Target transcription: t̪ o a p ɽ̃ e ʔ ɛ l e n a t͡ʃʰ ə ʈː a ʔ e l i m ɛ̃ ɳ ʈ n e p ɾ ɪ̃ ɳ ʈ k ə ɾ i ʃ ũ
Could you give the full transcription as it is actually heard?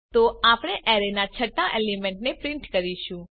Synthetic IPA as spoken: t̪ o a p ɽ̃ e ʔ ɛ ɾ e n a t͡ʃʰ ə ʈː a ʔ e l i m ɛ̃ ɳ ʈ n e p ɾ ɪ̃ ɳ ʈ k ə ɾ i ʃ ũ